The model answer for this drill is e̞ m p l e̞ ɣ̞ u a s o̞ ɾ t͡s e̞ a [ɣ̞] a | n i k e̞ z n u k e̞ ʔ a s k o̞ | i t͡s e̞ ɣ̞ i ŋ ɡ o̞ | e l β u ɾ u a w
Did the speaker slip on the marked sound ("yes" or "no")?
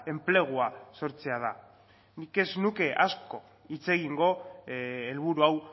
yes